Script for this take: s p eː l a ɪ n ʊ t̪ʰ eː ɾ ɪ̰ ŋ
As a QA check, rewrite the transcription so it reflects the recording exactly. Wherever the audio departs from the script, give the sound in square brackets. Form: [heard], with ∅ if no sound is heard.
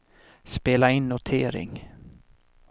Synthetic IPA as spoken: s p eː l a ɪ [nː] ʊ t̪ʰ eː ɾ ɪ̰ ŋ